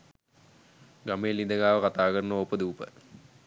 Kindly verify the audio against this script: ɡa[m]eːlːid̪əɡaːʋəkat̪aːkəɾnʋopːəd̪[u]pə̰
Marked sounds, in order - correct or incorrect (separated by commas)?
correct, incorrect